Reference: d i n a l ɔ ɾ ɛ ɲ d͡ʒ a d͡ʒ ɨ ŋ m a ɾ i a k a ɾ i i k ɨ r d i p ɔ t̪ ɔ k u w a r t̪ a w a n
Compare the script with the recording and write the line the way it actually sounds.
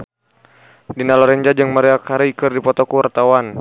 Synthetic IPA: d i n a l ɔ ɾ ɛ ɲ d͡ʒ a d͡ʒ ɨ ŋ m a ɾ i a k a ɾ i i k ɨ r d i p ɔ t̪ ɔ k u w a r t̪ a w a n

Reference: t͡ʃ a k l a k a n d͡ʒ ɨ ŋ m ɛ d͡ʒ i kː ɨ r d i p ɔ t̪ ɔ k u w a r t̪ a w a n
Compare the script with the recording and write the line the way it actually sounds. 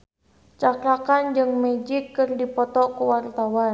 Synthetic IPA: t͡ʃ a k l a k a n d͡ʒ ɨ ŋ m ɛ d͡ʒ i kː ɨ r d i p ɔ t̪ ɔ k u w a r t̪ a w a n

